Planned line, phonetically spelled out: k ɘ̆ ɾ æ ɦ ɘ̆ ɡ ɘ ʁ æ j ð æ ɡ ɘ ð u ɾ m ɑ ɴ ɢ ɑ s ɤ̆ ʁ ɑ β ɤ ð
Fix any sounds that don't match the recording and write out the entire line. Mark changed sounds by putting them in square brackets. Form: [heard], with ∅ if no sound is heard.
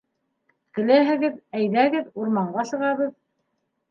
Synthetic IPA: k ɘ̆ [l] æ ɦ ɘ̆ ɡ ɘ [ð] æ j ð æ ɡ ɘ ð u ɾ m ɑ ɴ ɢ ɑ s ɤ̆ ʁ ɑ β ɤ ð